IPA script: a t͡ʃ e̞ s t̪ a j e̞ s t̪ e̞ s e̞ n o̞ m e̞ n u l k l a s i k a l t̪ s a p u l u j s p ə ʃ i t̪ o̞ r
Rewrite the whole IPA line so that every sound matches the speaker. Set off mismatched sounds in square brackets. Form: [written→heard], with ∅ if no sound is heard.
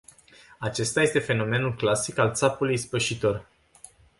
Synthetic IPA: a t͡ʃ e̞ s t̪ a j e̞ s t̪ e̞ [s→f] e̞ n o̞ m e̞ n u l k l a s i k a l t̪ s a p u l u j s p ə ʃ i t̪ o̞ r